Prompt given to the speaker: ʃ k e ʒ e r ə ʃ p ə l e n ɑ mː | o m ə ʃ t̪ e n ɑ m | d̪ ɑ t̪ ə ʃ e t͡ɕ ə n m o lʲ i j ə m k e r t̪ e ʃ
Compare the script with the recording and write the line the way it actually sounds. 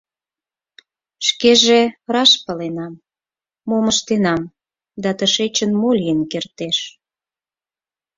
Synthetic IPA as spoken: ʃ k e ʒ e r ɑ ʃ p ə l e n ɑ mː | o m ə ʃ t̪ e n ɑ m | d̪ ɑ t̪ ə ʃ e t͡ɕ ə n m o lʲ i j ə n k e r t̪ e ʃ

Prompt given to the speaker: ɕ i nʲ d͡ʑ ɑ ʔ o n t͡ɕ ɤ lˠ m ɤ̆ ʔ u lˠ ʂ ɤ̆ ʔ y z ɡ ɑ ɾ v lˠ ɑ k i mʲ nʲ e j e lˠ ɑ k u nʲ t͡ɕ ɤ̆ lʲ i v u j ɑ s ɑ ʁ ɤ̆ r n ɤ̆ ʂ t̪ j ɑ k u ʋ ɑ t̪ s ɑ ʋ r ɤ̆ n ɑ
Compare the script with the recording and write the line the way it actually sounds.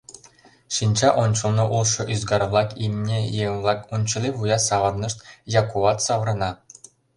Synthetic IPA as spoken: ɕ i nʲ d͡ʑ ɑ ʔ o n t͡ɕ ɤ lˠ n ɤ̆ ʔ u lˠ ʂ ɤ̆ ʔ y z ɡ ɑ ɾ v lˠ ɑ k i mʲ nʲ e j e lˠ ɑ k u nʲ t͡ɕ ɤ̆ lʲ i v u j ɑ s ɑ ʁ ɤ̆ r n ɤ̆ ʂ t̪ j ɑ k u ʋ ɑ t̪ s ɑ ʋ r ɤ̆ n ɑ

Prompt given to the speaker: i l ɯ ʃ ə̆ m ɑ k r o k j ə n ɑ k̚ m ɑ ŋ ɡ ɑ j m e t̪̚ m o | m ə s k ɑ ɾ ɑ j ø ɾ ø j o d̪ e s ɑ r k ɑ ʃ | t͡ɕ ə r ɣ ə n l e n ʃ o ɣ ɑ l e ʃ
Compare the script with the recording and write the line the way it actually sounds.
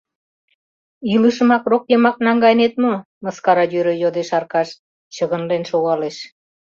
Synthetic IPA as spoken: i l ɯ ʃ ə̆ m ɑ k r o k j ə m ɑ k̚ n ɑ ŋ ɡ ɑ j n e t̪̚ m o | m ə s k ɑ ɾ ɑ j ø ɾ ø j o d̪ e ʃ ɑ r k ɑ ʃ | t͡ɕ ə ɣ ə n l e n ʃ o ɣ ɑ l e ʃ

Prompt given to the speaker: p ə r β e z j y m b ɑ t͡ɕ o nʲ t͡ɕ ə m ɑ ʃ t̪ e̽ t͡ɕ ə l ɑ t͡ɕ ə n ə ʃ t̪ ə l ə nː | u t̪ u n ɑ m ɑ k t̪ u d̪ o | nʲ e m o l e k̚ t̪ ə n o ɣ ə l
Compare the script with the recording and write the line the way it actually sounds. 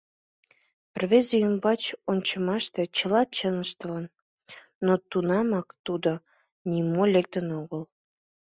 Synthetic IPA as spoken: p ə r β e z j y m b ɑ t͡ɕ o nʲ t͡ɕ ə m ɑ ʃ t̪ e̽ t͡ɕ ə l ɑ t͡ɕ ə n ə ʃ t̪ ə l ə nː | o t̪ u n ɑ m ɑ k t̪ u d̪ o | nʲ i m o l e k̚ t̪ ə n o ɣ ə l

